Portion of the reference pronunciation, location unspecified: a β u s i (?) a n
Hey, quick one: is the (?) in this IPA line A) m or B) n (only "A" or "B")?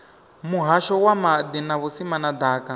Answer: A